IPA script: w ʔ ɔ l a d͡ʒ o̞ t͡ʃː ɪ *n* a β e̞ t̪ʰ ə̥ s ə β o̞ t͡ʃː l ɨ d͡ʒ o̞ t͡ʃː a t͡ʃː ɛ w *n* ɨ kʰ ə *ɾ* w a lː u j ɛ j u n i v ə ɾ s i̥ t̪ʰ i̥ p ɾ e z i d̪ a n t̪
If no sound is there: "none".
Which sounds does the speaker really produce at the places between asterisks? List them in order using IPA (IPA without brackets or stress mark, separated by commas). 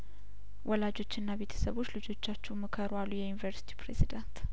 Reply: nː, m, ɾ